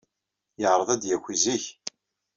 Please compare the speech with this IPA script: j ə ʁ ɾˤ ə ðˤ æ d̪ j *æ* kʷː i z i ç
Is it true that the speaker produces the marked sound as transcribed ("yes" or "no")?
yes